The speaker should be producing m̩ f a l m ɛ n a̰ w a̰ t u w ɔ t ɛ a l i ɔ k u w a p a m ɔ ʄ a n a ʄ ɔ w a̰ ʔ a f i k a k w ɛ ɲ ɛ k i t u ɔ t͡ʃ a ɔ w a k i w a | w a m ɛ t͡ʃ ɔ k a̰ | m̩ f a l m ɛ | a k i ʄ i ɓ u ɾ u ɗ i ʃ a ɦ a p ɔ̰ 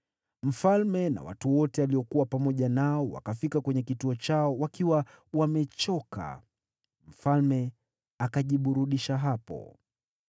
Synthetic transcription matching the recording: m̩ f a l m ɛ n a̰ w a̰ t u w ɔ t ɛ a l i ɔ k u w a p a m ɔ ʄ a n a ɔ w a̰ k a f i k a k w ɛ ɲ ɛ k i t u ɔ t͡ʃ a ɔ w a k i w a | w a m ɛ t͡ʃ ɔ k a̰ | m̩ f a l m ɛ | a k a ʄ i ɓ u ɾ u ɗ i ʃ a ɦ a p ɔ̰

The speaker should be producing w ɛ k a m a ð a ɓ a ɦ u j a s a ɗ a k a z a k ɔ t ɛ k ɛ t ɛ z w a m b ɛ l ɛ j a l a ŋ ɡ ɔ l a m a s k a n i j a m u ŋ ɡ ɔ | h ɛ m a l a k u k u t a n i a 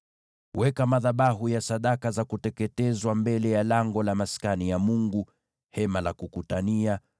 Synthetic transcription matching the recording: w ɛ k a m a ð a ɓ a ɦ u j a s a ɗ a k a z a k u t ɛ k ɛ t ɛ z w a m b ɛ l ɛ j a l a ŋ ɡ ɔ l a m a s k a n i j a m u ŋ ɡ u | h ɛ m a l a k u k u t a n i a

